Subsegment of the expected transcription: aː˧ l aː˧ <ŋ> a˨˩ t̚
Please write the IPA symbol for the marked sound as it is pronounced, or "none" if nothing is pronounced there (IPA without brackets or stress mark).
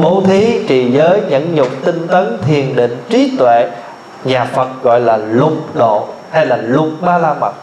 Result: m